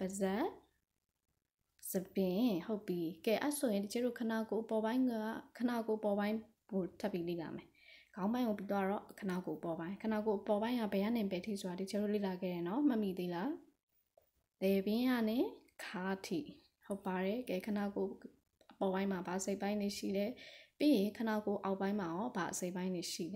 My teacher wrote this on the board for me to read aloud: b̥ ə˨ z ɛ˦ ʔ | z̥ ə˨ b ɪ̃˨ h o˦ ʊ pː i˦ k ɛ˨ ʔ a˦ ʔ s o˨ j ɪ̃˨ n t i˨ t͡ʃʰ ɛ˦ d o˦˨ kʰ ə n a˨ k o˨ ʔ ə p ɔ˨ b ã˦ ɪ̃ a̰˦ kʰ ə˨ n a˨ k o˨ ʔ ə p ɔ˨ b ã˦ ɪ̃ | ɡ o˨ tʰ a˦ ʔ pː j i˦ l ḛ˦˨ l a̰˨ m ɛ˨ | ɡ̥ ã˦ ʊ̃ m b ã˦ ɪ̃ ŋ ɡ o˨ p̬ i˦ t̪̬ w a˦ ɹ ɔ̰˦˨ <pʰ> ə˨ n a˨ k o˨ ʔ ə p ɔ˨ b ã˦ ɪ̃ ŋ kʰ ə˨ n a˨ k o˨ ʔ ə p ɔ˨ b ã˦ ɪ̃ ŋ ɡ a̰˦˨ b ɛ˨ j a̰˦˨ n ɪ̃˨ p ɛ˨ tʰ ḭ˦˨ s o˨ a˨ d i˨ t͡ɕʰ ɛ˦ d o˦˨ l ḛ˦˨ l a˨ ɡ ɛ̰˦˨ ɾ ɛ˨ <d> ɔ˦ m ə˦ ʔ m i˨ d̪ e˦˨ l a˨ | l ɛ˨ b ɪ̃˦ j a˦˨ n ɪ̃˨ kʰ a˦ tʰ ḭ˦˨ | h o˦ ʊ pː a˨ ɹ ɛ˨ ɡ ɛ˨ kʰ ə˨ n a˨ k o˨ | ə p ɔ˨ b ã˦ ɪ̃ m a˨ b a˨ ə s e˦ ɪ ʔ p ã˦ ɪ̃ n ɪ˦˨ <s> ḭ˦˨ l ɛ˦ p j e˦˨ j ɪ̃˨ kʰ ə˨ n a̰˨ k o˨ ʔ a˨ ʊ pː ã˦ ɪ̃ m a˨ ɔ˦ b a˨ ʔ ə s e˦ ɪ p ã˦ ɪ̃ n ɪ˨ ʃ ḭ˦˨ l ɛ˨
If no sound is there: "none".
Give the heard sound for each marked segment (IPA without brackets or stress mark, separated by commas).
kʰ, n, ʃ